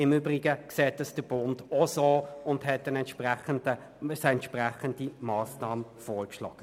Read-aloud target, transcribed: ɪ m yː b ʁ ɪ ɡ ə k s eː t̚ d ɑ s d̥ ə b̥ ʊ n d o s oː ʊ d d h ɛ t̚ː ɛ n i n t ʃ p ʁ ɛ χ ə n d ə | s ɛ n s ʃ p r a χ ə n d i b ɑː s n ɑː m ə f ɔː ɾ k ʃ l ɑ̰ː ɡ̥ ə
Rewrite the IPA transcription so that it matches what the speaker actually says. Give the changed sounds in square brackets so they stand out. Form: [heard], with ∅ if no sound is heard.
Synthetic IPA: ɪ m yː b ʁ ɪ ɡ ə k s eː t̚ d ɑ s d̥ ə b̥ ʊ n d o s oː ʊ [n] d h ɛ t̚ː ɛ n [ɛ] n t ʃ p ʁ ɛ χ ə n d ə | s ɛ n [t] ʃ p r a χ ə n d i [m] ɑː s n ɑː m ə f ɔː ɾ k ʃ l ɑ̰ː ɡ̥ ə